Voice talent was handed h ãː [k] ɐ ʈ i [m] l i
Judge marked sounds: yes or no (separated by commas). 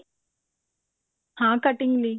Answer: yes, no